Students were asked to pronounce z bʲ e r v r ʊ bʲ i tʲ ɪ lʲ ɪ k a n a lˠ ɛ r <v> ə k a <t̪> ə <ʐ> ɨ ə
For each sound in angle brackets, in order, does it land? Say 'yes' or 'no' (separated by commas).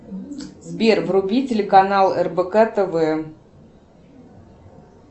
no, yes, no